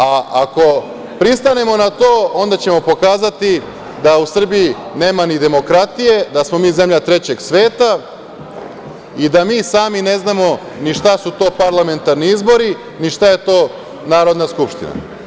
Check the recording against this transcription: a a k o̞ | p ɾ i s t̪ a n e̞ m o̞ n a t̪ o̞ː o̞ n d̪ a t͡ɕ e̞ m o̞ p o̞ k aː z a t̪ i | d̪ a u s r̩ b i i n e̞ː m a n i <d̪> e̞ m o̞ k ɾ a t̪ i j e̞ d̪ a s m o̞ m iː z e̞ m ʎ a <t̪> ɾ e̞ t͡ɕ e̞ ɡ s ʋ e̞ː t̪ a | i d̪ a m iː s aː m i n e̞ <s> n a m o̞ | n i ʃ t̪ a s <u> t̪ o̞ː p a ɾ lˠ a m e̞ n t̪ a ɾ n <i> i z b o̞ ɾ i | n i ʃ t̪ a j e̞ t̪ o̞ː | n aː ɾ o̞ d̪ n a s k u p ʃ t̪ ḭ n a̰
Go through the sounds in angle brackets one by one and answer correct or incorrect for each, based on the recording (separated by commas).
correct, correct, incorrect, correct, correct